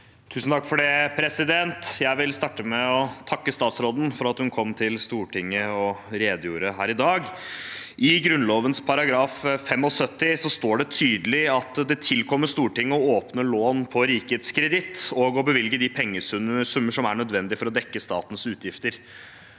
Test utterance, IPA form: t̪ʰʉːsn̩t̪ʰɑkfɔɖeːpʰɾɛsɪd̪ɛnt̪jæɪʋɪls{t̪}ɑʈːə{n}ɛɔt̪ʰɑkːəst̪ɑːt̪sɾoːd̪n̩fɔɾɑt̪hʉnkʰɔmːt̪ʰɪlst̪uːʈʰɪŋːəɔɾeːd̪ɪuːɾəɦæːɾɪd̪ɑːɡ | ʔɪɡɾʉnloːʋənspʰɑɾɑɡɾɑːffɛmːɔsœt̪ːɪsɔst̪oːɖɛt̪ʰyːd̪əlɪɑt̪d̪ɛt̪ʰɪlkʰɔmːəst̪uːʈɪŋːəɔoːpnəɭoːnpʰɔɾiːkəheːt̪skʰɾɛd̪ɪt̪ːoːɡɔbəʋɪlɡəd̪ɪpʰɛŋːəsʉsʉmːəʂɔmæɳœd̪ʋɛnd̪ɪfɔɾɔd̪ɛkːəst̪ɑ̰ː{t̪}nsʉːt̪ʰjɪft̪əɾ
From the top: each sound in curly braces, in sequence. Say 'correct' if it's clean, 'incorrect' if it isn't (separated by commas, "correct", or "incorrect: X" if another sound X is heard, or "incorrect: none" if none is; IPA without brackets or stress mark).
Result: correct, incorrect: m, correct